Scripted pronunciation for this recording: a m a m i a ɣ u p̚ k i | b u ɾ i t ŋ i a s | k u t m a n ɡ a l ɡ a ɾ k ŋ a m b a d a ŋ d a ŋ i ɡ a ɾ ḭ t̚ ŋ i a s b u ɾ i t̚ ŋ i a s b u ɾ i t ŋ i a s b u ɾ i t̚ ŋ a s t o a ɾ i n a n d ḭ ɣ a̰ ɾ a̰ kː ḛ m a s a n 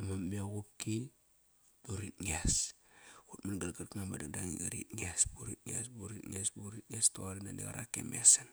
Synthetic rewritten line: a m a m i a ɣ u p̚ k i | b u ɾ i t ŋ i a s | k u t m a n ɡ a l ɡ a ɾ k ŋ a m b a d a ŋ d a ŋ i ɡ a ɾ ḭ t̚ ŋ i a s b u ɾ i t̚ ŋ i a s b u ɾ i t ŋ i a s b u ɾ i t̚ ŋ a s t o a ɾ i n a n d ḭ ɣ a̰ ɾ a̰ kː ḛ m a s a n

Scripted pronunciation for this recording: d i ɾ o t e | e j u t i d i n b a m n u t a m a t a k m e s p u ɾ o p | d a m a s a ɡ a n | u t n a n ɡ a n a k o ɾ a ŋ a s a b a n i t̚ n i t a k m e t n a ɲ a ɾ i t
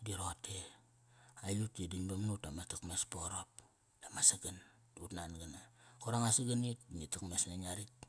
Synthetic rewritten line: d i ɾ o t e | a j u t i d i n b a m n u t a m a t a k m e s p o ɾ o p | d a m a s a ɡ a n | u t n a n ɡ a n a k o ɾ a ŋ a s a ɡ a n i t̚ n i t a k m e s n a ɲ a ɾ i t

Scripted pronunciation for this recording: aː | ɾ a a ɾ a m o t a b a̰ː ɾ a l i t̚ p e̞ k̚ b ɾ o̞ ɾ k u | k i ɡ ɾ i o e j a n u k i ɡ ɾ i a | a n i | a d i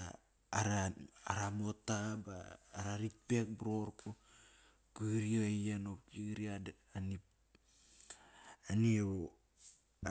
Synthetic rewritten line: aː | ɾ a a ɾ a m o t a b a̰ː ɾ a ɾ i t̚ p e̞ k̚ b ɾ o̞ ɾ k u | k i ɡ ɾ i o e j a n o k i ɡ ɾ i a | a n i | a n i

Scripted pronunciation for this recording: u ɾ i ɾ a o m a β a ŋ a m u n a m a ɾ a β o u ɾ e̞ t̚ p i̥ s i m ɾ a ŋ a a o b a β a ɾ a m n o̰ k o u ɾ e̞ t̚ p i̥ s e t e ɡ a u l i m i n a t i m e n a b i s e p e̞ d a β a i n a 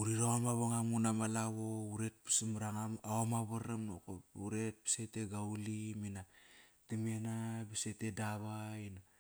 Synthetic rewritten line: u ɾ i ɾ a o m a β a ŋ a m u n a m a l a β o u ɾ e̞ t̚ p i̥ s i m ɾ a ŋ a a o m a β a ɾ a m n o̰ k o u ɾ e̞ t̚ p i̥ s e t e ɡ a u l i m i n a t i m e n a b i s e t e̞ d a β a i n a

